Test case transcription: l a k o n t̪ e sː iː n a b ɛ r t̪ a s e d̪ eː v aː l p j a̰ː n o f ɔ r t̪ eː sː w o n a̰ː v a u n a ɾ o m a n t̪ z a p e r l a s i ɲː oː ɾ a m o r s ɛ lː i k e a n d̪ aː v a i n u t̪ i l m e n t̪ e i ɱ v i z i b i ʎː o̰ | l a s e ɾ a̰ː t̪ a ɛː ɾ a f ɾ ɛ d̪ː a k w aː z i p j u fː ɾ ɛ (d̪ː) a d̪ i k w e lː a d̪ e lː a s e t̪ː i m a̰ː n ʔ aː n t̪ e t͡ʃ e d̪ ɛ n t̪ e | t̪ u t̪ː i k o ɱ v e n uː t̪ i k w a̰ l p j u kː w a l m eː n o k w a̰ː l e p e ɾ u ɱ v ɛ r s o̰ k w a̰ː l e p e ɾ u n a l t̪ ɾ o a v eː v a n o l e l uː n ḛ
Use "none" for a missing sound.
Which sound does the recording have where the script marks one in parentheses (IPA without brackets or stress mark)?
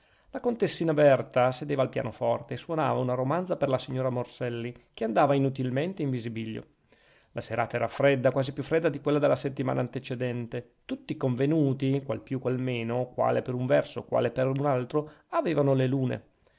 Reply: d̪ː